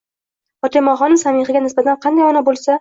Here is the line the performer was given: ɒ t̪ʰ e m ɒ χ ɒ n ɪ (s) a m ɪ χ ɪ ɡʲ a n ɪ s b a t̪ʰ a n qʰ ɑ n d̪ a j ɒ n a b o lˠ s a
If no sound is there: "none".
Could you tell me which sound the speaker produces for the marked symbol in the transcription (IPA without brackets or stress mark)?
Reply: s